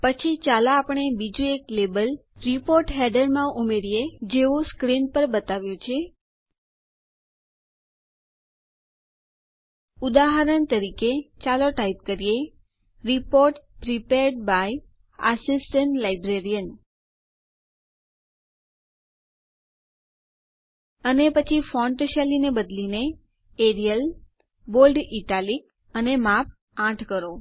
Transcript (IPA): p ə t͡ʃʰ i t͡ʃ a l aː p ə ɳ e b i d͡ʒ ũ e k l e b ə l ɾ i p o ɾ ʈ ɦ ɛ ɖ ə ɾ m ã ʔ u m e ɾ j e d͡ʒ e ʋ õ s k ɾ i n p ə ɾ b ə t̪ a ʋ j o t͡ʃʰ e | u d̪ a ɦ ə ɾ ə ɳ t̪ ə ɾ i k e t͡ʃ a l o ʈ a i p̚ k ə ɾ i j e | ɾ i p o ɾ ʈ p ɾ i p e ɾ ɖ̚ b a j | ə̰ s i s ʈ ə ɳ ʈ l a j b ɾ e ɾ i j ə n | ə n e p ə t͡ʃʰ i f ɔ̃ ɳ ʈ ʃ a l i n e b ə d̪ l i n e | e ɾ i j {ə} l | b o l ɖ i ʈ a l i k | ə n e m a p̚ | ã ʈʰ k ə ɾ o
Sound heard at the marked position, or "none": ə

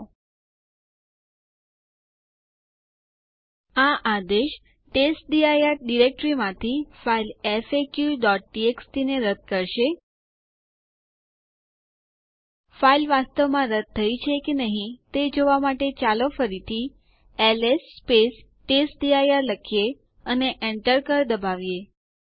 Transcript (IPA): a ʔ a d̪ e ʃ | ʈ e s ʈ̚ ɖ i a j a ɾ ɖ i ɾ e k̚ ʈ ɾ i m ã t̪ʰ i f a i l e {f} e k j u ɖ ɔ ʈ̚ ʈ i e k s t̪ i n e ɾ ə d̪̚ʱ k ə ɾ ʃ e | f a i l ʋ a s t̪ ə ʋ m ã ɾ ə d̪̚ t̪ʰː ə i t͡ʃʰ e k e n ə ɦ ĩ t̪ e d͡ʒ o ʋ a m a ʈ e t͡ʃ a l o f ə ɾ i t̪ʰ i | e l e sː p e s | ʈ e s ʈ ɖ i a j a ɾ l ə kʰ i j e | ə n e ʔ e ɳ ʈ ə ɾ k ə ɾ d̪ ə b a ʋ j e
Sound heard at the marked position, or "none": f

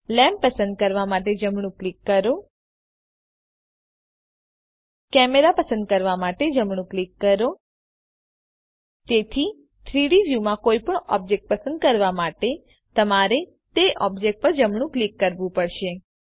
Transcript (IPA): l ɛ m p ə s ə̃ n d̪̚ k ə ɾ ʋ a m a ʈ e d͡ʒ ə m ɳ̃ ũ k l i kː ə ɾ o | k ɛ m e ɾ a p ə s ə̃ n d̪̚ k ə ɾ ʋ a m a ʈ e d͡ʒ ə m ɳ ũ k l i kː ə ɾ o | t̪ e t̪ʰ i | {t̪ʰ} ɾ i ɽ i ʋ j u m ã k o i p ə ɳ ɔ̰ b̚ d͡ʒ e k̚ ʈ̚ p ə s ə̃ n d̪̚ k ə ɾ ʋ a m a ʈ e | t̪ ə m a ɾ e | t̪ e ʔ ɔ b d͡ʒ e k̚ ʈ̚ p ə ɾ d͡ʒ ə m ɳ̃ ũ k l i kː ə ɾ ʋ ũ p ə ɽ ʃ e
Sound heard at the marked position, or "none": t̪ʰ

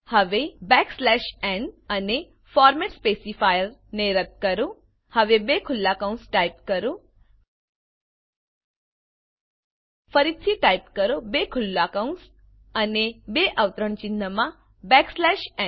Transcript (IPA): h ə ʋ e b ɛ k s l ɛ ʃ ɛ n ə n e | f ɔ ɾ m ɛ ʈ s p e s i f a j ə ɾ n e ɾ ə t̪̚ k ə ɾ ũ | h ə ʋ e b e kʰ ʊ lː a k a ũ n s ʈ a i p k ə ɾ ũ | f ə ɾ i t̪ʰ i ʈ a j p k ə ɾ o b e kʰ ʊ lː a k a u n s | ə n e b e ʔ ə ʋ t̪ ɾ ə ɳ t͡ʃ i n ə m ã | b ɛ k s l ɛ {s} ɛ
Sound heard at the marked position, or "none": ʃ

